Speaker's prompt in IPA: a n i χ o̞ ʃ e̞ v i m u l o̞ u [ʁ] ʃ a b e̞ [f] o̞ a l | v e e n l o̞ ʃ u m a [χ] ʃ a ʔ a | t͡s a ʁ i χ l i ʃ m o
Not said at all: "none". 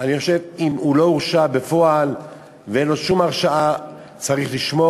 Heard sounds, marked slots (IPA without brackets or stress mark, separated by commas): ʁ, f, ʁ